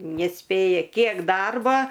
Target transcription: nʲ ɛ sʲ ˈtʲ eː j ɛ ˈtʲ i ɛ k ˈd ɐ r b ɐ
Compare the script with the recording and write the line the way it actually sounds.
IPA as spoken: nʲ ɛ sʲ ˈpʲ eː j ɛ ˈkʲ i ɛ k ˈd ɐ r b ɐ